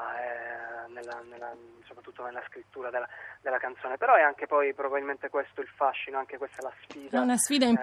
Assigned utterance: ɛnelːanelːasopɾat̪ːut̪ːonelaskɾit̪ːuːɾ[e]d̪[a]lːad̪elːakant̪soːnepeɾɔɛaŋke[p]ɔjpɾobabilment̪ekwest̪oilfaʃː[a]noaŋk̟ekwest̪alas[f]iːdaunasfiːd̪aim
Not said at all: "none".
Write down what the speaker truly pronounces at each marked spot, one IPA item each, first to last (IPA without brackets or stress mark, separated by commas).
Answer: a, e, p, i, f